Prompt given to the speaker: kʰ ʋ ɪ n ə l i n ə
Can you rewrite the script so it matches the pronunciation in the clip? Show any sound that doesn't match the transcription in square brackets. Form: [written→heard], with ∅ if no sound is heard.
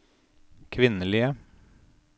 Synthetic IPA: kʰ ʋ ɪ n ə l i [n→∅] ə